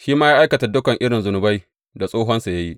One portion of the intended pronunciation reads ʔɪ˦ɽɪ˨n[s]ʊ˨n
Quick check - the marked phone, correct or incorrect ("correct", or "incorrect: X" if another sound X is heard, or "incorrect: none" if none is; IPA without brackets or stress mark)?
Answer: incorrect: z